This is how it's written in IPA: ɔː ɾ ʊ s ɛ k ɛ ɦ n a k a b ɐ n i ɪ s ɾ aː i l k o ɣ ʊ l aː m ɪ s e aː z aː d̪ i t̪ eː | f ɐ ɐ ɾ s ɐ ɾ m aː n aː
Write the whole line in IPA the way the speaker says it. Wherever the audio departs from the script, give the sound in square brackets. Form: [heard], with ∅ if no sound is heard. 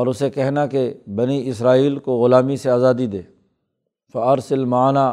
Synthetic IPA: ɔː ɾ ʊ s [e] k ɛ ɦ n a k [e] b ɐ n i ɪ s ɾ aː [iː] l k o ɣ ʊ l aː m [i] s e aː z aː d̪ i [d̪] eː | f ɐ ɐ ɾ s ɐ [l] m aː n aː